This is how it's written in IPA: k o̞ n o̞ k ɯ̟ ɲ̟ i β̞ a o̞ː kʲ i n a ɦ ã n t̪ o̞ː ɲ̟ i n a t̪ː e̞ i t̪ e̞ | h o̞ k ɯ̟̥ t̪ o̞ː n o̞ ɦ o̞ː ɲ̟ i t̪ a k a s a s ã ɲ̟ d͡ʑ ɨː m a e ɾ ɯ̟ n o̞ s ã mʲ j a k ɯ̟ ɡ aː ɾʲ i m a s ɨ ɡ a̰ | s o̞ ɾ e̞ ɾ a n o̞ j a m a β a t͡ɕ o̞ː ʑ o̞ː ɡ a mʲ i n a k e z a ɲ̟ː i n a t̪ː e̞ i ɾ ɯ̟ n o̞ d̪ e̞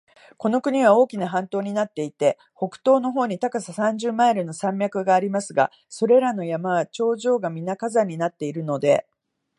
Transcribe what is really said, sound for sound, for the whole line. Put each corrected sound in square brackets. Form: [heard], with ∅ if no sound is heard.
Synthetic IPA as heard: k o̞ n o̞ k ɯ̟ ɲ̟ i β̞ a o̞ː kʲ i n a ɦ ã n t̪ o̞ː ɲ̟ i n a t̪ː e̞ i t̪ e̞ | h o̞ k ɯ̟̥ t̪ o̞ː n o̞ ɦ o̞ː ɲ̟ i t̪ a k a s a s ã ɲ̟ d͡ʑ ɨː m a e ɾ ɯ̟ n o̞ s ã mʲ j a k ɯ̟ ɡ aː ɾʲ i m a s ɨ ɡ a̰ | s o̞ ɾ e̞ ɾ a n o̞ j a m a β a t͡ɕ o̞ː ʑ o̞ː ɡ a mʲ i n a k [a] z a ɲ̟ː i n a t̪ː e̞ i ɾ ɯ̟ n o̞ d̪ e̞

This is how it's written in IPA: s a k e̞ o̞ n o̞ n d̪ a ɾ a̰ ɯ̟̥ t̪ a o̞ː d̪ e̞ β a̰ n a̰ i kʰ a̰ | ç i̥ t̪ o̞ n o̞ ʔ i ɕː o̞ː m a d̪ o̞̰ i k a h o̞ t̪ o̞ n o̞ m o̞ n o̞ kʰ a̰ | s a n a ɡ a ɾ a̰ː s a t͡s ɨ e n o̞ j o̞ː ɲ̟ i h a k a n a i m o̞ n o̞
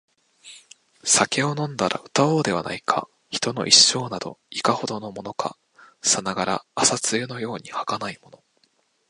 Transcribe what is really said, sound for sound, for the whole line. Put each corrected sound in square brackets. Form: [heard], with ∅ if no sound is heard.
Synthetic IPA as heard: s a k e̞ o̞ n [õ̞] n d̪ a ɾ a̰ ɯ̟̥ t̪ a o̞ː d̪ e̞ β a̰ n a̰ i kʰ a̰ | ç i̥ t̪ o̞ n o̞ ʔ i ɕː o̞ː [n] a d̪ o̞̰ i k a h o̞ [d̪] o̞ n o̞ m o̞ n o̞ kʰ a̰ | s a n a ɡ a ɾ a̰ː s a t͡s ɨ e n o̞ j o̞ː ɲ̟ i h a k a n a i m o̞ n o̞

